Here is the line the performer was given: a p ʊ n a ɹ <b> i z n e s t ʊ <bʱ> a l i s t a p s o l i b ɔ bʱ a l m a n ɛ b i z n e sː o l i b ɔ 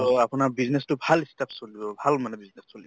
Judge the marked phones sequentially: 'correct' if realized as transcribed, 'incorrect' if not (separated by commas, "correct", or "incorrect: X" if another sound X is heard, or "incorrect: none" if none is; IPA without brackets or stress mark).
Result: correct, correct